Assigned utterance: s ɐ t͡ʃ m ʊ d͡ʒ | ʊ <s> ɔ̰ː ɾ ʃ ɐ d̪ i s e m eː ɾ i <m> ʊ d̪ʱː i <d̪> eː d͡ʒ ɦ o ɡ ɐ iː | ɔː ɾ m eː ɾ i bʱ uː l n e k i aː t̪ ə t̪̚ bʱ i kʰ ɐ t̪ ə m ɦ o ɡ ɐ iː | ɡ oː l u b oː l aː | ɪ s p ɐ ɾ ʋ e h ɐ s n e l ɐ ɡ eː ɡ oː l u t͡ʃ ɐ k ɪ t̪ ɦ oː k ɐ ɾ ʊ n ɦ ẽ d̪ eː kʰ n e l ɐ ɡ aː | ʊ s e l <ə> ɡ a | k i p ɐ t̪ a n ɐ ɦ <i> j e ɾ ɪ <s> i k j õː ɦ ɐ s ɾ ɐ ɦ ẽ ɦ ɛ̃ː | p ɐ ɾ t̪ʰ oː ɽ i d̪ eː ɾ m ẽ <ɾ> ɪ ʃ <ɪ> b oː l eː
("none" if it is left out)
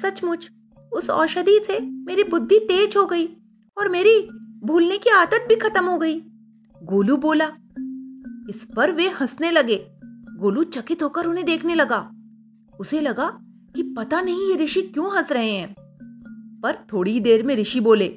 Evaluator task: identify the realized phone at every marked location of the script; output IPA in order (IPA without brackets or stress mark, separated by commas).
s, b, t̪, ɐ, ĩ, ʃ, ɾ, i